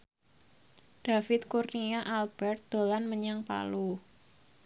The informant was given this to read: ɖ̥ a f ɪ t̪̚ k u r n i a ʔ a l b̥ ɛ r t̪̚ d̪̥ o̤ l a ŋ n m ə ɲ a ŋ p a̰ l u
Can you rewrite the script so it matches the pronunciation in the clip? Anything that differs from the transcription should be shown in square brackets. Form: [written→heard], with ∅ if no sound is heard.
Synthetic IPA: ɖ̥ a f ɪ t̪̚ k u r n i a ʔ a l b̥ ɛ r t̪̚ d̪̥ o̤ l a [ŋ→∅] n m ə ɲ a ŋ p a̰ l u